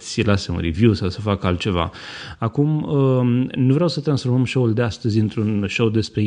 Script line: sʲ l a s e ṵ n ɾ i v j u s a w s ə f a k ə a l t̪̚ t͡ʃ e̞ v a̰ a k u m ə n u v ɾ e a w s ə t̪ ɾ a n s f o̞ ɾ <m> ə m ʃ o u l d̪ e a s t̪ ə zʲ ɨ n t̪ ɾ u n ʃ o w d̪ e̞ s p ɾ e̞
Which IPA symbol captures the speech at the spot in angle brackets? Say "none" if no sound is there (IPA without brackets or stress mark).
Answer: m